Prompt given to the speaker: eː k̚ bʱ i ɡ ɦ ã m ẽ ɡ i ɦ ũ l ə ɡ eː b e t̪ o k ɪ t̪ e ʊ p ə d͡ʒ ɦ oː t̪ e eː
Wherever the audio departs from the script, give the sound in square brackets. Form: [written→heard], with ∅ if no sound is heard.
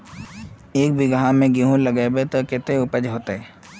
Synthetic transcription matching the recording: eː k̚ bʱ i ɡ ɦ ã m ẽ ɡ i ɦ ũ l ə ɡ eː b e t̪ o k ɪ t̪ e ʊ p ə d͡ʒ ɦ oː t̪ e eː